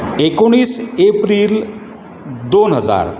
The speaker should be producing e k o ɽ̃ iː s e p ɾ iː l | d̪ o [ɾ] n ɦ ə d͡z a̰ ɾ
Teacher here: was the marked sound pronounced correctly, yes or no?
no